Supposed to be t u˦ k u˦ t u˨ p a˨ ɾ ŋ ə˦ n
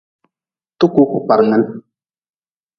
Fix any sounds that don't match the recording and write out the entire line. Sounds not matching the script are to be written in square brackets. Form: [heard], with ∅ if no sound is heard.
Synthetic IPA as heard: t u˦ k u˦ [k] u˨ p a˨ ɾ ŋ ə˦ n